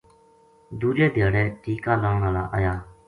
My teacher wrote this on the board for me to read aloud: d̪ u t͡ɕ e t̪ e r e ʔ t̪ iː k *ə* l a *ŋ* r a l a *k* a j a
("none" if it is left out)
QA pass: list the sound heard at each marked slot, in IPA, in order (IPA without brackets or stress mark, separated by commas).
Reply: a, ŋ, ʔ